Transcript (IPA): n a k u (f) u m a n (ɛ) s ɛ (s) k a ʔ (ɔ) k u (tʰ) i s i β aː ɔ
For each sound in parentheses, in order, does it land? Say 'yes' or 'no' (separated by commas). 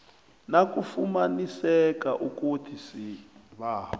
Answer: yes, no, no, no, yes